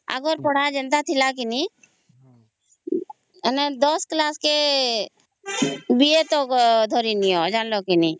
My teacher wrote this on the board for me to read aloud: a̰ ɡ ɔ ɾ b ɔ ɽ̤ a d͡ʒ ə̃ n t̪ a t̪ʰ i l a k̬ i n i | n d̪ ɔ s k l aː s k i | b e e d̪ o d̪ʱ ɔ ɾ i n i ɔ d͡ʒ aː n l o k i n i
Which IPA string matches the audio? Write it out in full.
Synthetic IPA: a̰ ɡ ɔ ɾ p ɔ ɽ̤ a d͡ʒ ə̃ n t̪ a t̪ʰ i l a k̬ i n i | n d̪ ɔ s k l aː s k e | b i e t̪ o d̪ʱ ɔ ɾ i n i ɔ d͡ʒ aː n l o k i n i